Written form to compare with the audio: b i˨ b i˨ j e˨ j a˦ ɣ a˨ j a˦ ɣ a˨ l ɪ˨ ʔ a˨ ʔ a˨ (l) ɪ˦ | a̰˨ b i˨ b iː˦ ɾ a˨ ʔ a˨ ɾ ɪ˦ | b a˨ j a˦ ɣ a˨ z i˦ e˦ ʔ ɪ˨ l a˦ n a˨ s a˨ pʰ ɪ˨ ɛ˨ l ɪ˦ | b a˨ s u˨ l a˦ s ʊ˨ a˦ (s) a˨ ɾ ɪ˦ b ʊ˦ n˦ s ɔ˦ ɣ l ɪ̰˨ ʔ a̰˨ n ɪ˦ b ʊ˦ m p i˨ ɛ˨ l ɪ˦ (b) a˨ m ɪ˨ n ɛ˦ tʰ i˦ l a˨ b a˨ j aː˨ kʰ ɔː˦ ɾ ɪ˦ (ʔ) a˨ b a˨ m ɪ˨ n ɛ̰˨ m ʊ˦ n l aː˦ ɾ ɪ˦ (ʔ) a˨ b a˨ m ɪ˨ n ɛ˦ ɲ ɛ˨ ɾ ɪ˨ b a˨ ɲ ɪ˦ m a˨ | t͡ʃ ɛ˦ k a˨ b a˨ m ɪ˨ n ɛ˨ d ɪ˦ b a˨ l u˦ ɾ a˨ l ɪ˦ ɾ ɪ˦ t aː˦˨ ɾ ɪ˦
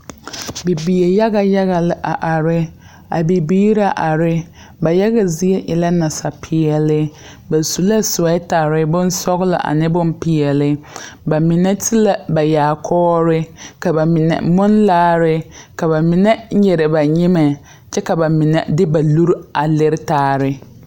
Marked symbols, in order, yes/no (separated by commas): no, no, yes, no, no